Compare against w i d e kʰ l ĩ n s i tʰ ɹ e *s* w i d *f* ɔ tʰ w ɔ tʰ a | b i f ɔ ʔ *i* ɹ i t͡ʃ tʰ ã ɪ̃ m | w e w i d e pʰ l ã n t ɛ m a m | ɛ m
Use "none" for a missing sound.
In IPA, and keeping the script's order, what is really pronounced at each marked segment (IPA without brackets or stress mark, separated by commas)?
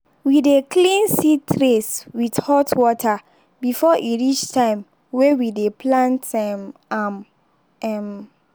s, h, i